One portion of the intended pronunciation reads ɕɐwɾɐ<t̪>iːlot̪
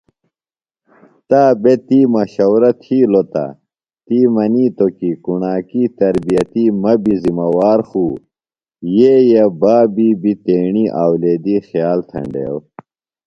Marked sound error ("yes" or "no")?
yes